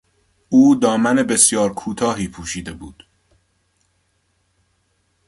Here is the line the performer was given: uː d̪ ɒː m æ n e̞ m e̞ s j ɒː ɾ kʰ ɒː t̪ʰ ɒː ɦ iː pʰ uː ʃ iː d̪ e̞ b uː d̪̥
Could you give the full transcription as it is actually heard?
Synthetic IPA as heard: uː d̪ ɒː m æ n e̞ b e̞ s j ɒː ɾ kʰ uː t̪ʰ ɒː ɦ iː pʰ uː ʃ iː d̪ e̞ b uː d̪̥